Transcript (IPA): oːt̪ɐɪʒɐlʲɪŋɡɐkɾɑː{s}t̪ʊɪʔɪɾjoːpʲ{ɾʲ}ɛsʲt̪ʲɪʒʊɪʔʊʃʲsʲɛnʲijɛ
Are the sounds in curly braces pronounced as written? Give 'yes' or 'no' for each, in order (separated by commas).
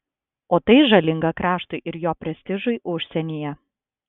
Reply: no, yes